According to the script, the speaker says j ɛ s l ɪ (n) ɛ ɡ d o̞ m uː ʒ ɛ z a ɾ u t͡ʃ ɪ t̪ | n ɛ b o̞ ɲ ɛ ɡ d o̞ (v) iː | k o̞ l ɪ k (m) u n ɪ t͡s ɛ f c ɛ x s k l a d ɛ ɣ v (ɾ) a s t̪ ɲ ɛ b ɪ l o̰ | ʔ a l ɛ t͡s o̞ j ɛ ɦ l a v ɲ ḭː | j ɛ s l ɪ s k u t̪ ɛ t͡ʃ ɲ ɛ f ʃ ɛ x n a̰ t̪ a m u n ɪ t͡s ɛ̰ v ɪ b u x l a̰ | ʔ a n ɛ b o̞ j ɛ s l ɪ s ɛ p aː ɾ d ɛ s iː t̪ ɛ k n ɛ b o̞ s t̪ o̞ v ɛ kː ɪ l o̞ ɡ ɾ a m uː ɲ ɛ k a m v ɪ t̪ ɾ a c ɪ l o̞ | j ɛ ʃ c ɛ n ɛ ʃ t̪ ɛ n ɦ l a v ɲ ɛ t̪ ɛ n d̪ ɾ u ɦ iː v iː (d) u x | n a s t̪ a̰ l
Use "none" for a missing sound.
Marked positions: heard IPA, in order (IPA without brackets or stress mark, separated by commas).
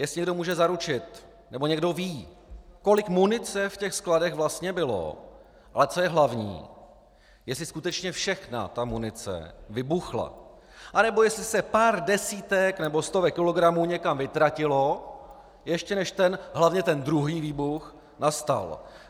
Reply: ɲ, v, m, l, b